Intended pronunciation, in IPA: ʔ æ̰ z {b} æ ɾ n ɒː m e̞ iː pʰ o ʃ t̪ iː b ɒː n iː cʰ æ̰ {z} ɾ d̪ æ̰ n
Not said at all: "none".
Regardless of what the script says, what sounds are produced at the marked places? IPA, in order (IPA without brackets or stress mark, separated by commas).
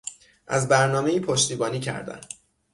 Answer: b, none